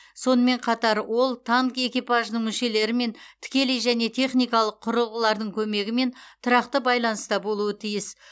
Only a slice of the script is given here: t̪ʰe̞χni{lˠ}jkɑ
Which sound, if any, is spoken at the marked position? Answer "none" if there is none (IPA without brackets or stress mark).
none